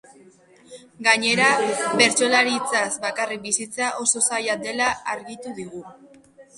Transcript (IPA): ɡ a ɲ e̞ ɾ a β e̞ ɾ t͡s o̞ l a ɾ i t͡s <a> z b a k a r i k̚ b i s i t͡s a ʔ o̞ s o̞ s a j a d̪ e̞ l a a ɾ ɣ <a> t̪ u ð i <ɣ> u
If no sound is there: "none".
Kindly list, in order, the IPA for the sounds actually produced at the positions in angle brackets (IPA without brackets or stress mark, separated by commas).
a, i, ɣ